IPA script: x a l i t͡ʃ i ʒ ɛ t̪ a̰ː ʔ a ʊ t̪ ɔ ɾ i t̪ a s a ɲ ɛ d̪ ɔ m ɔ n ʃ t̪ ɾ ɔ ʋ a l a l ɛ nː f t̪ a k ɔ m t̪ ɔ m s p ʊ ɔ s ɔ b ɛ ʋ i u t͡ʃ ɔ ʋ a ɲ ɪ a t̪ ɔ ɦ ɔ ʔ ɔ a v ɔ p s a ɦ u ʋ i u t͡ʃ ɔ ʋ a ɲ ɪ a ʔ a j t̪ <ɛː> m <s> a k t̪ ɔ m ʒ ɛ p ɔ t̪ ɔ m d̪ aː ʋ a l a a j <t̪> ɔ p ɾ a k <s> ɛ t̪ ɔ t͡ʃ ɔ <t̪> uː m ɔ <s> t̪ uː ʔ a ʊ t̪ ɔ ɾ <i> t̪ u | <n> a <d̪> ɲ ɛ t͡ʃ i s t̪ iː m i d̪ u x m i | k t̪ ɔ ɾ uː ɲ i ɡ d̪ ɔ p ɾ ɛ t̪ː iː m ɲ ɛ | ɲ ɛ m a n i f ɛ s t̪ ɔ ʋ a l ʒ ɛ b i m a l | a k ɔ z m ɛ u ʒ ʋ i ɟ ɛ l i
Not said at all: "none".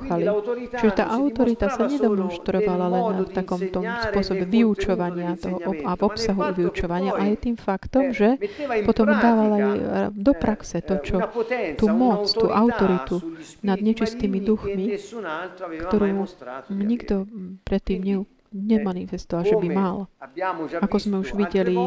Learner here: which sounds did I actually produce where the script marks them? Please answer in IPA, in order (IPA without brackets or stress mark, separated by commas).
iː, f, d̪, s, t̪, t͡s, i, n, d̪